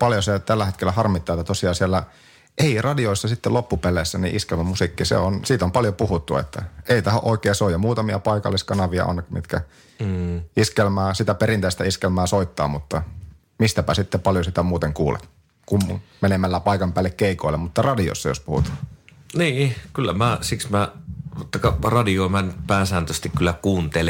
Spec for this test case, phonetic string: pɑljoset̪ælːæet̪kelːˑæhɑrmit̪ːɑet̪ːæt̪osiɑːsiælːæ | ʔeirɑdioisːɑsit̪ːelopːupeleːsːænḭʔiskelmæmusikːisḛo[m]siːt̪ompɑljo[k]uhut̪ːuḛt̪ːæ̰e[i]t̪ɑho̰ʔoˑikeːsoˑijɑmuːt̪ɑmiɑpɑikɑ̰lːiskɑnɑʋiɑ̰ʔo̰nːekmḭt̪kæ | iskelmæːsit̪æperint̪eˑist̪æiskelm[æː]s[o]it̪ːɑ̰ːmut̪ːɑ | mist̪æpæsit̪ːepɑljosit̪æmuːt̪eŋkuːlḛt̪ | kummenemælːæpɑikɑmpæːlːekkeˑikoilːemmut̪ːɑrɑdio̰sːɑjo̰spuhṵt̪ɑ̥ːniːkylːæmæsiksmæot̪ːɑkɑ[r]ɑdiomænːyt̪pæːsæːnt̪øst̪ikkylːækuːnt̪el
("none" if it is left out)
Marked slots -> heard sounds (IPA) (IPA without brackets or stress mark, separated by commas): n, p, i, æː, o, r